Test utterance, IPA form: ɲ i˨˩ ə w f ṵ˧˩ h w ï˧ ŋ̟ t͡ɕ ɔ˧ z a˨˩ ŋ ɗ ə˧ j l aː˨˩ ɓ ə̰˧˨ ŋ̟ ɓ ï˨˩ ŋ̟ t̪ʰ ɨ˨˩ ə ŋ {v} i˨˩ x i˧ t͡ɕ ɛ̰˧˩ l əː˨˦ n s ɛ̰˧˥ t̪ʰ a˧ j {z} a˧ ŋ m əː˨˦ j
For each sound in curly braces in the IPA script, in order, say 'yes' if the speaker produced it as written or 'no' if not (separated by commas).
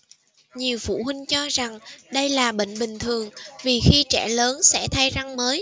yes, yes